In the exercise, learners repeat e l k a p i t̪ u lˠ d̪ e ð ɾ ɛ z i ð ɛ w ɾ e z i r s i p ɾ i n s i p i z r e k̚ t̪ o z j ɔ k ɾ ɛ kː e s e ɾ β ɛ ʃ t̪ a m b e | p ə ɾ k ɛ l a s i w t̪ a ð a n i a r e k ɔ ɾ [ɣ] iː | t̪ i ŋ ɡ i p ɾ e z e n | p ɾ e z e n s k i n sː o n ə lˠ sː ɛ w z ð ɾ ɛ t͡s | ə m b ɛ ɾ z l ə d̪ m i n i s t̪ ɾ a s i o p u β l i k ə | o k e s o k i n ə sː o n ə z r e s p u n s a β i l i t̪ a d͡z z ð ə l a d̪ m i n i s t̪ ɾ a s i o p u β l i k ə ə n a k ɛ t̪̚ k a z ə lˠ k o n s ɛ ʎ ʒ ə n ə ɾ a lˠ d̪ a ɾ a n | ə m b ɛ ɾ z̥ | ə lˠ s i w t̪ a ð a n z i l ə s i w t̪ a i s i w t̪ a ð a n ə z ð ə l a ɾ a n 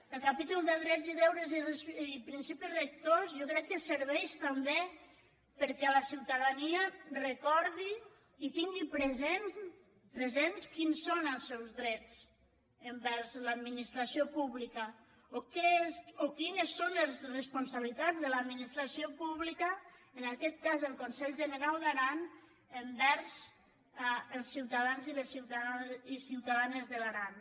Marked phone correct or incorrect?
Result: incorrect: ð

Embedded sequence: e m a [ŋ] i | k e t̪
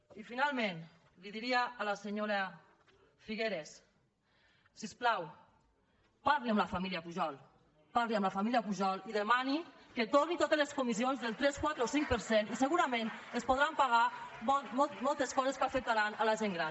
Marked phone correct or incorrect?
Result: incorrect: n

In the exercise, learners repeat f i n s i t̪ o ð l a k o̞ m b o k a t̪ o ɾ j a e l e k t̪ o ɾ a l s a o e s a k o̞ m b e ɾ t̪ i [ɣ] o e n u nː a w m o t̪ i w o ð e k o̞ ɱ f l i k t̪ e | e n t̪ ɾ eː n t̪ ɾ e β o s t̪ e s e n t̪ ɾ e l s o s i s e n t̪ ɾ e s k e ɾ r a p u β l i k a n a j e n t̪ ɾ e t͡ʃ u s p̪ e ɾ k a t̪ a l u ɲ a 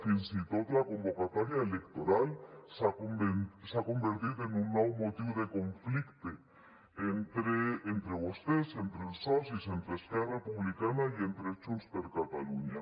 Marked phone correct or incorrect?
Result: incorrect: ð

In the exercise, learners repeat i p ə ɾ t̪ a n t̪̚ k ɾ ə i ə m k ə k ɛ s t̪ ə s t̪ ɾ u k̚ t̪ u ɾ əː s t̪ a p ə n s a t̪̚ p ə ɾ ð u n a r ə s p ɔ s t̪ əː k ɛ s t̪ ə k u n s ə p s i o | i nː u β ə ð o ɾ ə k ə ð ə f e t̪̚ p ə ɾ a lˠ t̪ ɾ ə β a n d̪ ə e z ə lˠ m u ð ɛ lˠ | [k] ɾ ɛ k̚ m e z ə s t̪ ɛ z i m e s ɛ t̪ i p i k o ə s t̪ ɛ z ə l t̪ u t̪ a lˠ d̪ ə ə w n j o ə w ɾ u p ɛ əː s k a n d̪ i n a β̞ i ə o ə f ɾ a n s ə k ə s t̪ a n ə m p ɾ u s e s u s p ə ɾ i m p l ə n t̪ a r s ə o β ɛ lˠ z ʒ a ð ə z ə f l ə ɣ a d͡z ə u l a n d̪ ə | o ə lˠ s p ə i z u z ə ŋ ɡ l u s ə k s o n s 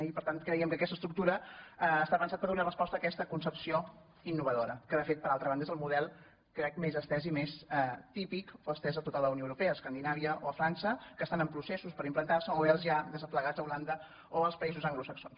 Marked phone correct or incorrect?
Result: correct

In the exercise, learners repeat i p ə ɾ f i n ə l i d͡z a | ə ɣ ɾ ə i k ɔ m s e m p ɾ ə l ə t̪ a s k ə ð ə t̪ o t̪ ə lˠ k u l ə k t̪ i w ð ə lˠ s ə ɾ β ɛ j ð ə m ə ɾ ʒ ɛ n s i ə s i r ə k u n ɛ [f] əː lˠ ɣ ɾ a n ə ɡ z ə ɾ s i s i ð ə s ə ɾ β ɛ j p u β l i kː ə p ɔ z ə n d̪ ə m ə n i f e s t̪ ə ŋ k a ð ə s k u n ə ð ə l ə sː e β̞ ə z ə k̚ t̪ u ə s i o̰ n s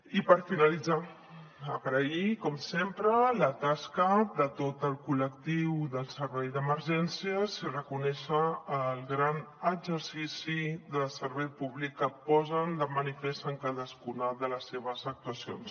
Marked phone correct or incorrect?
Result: incorrect: ʃ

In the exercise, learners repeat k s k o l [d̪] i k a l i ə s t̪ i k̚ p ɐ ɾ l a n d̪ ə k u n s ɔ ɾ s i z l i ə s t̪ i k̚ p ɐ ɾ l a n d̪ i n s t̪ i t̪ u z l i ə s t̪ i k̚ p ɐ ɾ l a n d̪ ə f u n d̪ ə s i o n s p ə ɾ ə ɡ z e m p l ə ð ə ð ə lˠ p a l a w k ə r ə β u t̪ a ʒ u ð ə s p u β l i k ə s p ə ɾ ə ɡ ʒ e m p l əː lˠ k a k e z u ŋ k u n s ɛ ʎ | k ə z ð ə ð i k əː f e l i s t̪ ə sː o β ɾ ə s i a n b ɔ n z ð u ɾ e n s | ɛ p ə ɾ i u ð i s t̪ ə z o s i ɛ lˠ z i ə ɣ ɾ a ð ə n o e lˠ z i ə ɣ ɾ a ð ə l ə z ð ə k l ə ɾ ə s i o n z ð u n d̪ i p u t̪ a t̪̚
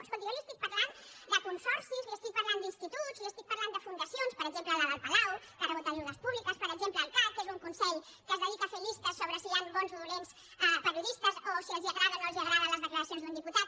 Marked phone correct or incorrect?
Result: incorrect: t̪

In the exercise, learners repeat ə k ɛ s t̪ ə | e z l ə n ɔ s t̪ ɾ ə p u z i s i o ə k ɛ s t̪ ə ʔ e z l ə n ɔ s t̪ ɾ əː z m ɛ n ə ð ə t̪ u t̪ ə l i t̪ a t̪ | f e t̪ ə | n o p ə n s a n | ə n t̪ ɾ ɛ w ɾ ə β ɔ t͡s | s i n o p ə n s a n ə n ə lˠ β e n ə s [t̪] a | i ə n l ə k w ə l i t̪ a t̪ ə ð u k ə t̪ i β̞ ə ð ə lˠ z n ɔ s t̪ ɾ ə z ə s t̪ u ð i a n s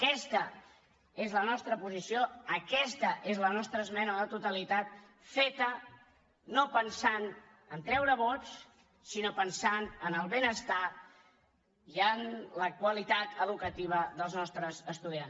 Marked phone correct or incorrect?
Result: correct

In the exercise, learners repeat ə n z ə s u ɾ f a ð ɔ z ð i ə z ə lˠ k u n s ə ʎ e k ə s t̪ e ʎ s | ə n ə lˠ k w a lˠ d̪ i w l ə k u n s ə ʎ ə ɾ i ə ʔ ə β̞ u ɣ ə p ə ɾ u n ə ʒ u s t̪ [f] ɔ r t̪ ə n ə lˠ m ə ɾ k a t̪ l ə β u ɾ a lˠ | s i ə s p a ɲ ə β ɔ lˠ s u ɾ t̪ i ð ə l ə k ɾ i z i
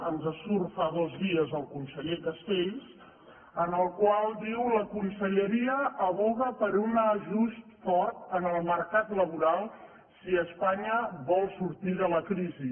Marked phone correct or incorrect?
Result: correct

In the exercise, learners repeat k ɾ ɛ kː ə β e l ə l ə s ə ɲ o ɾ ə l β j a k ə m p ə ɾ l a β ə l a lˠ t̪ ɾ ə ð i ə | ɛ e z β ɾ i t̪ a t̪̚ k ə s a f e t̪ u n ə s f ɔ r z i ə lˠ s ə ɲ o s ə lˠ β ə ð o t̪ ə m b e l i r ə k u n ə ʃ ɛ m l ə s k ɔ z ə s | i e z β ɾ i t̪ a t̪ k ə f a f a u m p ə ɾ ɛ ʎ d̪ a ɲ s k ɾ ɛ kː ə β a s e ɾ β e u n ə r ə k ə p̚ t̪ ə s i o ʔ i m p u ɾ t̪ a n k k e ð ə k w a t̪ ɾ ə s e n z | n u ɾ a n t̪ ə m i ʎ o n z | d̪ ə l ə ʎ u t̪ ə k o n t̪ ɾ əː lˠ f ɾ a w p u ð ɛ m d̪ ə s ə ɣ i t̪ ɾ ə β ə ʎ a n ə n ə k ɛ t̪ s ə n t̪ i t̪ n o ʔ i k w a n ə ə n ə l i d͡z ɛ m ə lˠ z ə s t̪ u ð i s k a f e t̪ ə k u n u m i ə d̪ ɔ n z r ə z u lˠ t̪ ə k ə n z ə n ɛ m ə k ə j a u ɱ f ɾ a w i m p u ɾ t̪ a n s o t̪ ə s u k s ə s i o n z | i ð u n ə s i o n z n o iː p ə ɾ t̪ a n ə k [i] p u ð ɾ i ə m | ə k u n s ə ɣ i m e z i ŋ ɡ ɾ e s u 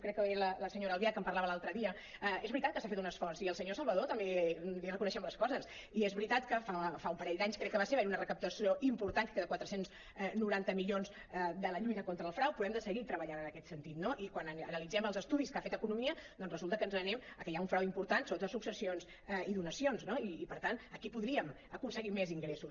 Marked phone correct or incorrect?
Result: correct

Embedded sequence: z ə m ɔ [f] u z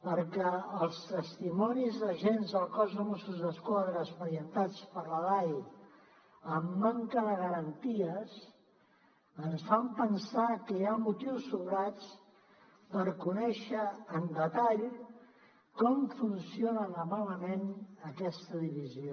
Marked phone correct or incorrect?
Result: incorrect: s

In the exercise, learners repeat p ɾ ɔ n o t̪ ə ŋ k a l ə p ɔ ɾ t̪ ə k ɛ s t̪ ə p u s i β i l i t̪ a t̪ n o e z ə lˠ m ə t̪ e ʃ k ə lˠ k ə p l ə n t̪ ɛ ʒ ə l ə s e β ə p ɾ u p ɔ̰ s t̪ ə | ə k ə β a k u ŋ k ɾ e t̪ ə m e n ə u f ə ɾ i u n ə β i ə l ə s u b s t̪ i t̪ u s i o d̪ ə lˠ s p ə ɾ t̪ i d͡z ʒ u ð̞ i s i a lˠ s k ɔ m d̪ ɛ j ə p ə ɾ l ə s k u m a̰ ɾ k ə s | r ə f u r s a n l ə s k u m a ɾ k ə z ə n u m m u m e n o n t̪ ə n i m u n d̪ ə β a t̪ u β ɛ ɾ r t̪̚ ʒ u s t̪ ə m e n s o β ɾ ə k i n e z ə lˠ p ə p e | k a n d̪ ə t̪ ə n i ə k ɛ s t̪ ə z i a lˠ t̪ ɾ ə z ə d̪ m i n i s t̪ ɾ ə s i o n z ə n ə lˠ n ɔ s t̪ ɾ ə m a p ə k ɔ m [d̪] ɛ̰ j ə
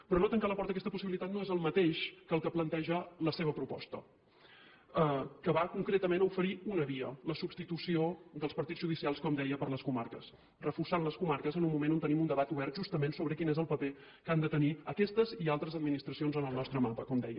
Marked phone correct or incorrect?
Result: correct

